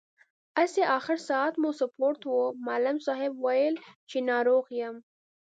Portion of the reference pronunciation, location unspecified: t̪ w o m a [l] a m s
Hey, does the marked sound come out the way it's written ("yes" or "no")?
yes